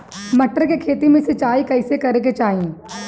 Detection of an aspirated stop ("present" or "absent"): present